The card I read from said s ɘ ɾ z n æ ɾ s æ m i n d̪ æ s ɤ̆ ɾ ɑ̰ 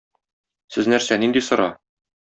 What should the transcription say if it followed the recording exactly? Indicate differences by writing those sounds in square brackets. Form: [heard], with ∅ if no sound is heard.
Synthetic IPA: s ɘ [∅] z n æ ɾ s æ [n] i n d̪ [i] s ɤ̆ ɾ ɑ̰

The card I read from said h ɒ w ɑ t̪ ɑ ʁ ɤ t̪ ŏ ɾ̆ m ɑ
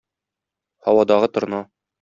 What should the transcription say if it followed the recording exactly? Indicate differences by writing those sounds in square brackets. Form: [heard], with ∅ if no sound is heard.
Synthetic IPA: h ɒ w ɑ [d̪] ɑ ʁ ɤ t̪ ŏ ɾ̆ [n] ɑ

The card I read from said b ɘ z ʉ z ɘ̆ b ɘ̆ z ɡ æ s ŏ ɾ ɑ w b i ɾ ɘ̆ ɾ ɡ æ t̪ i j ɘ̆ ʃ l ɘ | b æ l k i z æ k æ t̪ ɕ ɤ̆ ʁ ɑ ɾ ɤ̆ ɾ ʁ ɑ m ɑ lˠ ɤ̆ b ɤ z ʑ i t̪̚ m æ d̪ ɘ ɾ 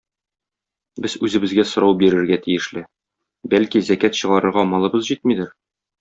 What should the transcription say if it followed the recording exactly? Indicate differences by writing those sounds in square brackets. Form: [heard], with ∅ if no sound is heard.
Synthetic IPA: b ɘ z ʉ z ɘ̆ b ɘ̆ z ɡ æ s ŏ ɾ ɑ w b i ɾ ɘ̆ ɾ ɡ æ t̪ i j ɘ̆ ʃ l ɘ | b æ l k i z æ k æ t̪ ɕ ɤ̆ ʁ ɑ ɾ ɤ̆ ɾ ʁ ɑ m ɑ lˠ ɤ̆ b ɤ z ʑ i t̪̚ m [i] d̪ ɘ ɾ

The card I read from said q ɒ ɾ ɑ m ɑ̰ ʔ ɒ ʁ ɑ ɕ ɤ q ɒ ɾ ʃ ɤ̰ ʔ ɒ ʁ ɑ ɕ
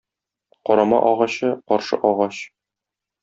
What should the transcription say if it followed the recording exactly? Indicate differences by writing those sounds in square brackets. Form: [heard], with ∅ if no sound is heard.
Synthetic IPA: q ɒ ɾ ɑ m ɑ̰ ʔ ɒ ʁ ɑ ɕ ɤ q ɒ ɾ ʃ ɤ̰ ʔ ɒ ʁ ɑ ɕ

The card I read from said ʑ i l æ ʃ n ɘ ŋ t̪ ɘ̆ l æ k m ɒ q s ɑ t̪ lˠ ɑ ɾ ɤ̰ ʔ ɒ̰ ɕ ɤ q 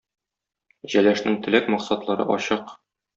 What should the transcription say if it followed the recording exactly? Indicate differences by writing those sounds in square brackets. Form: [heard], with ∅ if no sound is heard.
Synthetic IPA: ʑ [æ] l æ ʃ n ɘ ŋ t̪ ɘ̆ l æ k m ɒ q s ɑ t̪ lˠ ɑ ɾ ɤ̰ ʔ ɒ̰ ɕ ɤ q

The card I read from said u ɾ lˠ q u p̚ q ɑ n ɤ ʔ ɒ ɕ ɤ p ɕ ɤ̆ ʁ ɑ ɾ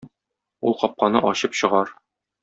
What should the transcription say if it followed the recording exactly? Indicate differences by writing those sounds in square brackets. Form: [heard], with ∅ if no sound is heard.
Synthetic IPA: u [∅] lˠ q [ɒ] p̚ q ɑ n ɤ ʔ ɒ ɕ ɤ p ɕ ɤ̆ ʁ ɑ ɾ

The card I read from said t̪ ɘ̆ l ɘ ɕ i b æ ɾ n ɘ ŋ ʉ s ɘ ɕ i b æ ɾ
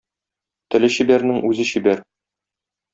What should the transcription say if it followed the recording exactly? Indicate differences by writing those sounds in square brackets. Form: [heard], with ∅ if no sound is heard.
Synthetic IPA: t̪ ɘ̆ l ɘ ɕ i b æ ɾ n ɘ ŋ ʉ [z] ɘ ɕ i b æ ɾ

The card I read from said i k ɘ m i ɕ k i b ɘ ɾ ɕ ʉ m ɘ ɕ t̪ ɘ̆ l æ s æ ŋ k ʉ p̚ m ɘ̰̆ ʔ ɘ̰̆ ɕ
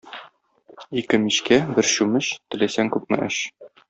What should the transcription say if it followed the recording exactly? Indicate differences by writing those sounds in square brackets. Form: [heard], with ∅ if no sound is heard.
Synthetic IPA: i k ɘ m i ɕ k [æ] b ɘ ɾ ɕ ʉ m ɘ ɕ t̪ ɘ̆ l æ s æ ŋ k ʉ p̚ m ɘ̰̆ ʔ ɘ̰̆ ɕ

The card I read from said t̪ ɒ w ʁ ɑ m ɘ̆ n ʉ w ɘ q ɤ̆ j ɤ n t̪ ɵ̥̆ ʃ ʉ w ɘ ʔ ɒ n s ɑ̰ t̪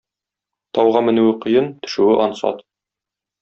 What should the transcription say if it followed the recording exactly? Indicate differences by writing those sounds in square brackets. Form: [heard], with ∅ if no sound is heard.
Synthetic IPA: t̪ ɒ w ʁ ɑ m ɘ̆ n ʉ w ɘ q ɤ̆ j ɤ n t̪ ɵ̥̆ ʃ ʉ w ɘ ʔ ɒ n s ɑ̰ t̪

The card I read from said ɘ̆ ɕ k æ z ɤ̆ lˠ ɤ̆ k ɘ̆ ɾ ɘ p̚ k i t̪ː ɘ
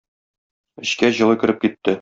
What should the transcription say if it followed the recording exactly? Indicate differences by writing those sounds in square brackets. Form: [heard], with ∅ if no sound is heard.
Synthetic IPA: ɘ̆ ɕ k æ [ʑ] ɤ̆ lˠ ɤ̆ k ɘ̆ ɾ ɘ p̚ k i t̪ː ɘ

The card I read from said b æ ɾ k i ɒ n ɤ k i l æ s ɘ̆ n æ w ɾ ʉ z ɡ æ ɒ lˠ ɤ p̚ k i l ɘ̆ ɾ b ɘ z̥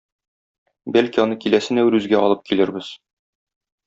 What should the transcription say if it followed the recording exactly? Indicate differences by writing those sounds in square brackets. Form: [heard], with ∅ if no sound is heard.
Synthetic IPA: b æ [l] k i ɒ n ɤ k i l æ s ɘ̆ n æ w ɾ ʉ z ɡ æ ɒ lˠ ɤ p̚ k i l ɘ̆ ɾ b ɘ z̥

